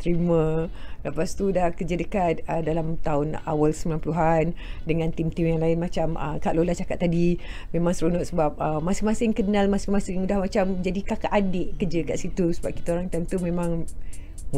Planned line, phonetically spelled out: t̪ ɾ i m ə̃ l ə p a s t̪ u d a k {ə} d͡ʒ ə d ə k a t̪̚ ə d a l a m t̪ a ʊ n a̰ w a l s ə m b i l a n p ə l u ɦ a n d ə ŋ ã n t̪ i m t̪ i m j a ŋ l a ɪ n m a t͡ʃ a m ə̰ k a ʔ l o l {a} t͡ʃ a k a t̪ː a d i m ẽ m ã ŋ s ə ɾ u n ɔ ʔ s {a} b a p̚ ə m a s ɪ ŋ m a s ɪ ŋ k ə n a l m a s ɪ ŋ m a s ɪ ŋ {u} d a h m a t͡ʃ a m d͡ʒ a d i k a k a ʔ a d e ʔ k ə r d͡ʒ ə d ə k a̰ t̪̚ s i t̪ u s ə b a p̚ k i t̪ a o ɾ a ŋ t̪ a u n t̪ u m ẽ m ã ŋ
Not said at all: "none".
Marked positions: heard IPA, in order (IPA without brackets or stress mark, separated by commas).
ə, a, ə, u